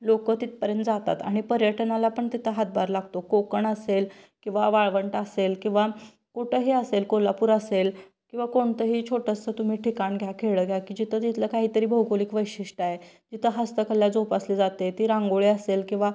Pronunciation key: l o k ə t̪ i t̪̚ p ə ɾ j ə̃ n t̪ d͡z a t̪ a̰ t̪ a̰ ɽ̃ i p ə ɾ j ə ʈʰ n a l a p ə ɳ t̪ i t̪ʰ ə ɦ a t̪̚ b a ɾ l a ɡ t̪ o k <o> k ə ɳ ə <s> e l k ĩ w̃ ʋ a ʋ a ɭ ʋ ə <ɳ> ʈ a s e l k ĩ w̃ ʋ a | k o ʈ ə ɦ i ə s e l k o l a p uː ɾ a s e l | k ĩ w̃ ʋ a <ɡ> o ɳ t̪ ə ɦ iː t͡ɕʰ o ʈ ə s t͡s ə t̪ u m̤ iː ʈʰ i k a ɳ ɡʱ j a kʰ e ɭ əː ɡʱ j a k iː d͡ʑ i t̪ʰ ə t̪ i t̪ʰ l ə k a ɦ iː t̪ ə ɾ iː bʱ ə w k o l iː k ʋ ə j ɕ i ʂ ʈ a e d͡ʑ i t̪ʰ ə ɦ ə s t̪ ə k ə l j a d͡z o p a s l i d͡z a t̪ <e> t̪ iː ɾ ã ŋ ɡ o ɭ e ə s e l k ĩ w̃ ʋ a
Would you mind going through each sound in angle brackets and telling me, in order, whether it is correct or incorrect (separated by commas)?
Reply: correct, correct, correct, incorrect, correct